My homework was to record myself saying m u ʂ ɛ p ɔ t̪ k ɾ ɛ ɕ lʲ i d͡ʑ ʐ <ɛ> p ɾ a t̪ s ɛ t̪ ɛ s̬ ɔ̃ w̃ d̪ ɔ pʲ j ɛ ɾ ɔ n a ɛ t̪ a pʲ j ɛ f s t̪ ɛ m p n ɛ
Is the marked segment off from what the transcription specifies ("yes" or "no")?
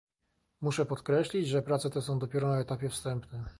no